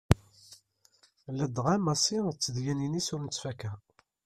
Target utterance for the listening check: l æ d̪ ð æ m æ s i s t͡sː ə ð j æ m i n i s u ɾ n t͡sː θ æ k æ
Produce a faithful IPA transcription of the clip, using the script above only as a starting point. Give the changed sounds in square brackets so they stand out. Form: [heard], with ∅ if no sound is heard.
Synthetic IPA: l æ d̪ [ʁ] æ m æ s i [∅] t͡sː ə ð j æ [n] i n i s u ɾ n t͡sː [f] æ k æ